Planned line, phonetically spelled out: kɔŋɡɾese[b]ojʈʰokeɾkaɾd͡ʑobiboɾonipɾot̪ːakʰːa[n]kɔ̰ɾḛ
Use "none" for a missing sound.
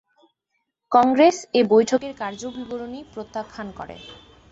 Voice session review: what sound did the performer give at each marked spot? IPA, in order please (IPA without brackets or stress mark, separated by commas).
b, n